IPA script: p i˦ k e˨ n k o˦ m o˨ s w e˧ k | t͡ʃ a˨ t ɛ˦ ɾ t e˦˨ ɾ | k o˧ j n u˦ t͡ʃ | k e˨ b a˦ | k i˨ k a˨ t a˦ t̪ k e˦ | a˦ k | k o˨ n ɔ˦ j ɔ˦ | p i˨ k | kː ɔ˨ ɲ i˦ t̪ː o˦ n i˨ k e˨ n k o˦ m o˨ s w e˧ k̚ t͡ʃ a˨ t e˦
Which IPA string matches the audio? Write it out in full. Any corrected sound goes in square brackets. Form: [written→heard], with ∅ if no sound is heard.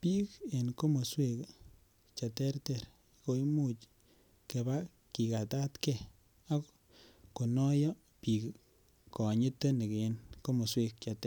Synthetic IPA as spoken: p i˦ k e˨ n k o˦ m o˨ s w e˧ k | t͡ʃ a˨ t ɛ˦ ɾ t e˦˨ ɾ | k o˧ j [n→m] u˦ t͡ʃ | k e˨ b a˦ | k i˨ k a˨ t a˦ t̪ k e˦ | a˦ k | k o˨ n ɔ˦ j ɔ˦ | p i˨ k | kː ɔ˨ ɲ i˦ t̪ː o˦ n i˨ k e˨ n k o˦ m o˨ s w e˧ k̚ t͡ʃ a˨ t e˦